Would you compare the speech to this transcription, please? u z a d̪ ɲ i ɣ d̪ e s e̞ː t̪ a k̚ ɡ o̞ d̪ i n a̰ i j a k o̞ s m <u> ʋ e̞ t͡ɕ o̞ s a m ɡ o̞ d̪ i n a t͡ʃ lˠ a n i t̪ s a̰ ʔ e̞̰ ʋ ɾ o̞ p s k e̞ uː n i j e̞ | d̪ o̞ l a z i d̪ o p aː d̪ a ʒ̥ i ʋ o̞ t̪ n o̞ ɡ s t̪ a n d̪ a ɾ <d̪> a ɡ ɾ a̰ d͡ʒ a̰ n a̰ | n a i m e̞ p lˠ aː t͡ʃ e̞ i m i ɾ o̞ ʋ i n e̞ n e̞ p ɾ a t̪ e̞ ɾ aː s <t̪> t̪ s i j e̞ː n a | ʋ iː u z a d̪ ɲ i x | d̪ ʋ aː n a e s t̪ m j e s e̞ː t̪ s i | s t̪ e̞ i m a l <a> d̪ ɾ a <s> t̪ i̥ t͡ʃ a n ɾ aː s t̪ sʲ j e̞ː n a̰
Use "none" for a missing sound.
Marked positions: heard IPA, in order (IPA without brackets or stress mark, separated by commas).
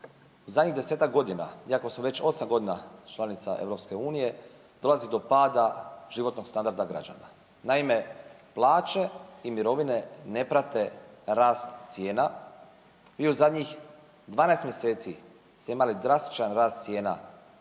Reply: o, d̪, t̪, i, s